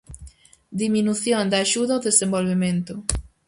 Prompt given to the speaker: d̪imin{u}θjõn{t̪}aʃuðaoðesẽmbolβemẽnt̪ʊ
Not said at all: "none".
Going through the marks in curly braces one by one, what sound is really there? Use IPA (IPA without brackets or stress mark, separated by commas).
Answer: u, d̪